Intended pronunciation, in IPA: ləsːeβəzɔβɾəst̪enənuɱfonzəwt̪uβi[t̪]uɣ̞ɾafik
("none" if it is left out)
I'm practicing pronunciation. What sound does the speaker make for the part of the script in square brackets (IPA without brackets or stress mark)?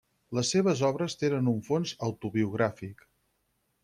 none